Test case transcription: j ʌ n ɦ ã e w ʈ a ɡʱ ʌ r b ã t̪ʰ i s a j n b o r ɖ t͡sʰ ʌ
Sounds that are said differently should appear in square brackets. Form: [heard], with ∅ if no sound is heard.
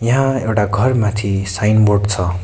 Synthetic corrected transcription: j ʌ [∅] ɦ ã e w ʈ a ɡʱ ʌ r [m] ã t̪ʰ i s a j n b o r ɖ t͡sʰ ʌ